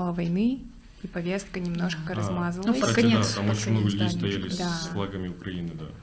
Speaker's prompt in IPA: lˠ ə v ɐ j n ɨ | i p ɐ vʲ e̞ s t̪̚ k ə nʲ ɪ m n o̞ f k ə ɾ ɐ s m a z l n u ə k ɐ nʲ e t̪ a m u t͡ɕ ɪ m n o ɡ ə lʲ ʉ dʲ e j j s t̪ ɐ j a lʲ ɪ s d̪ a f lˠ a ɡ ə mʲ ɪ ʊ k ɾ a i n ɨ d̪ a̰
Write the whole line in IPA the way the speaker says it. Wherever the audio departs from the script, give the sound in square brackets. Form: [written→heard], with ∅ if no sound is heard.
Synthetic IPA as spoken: lˠ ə v ɐ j n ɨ | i p ɐ vʲ e̞ s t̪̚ k ə nʲ ɪ m n o̞ [f→ʂ] k ə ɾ ɐ [s→z] m a z l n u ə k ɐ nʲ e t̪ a m [u→o] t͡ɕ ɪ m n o ɡ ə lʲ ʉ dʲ e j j s t̪ ɐ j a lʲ ɪ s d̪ a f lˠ a ɡ ə mʲ ɪ ʊ k ɾ [a→ɐ] i n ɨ d̪ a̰